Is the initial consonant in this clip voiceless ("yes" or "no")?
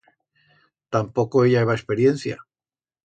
yes